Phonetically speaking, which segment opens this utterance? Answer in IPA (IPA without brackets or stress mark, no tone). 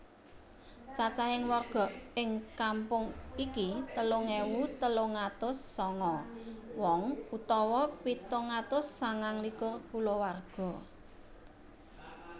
t͡ʃ